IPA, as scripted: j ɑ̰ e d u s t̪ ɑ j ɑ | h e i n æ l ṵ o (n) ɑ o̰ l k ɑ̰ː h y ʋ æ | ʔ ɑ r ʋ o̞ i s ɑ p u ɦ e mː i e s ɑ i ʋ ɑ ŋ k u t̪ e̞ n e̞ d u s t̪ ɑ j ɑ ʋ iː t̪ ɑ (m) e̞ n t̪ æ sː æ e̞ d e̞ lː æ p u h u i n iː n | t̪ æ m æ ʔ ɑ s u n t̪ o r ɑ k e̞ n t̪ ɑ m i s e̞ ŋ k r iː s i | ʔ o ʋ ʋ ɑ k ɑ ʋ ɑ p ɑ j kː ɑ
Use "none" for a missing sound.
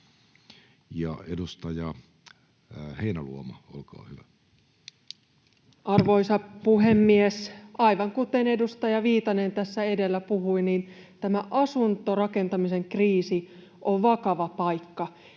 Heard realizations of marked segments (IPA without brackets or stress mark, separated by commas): m, n